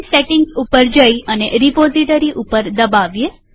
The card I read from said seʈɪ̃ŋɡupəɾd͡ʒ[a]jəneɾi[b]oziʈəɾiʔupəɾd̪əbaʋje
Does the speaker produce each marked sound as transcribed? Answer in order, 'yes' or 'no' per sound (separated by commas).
no, no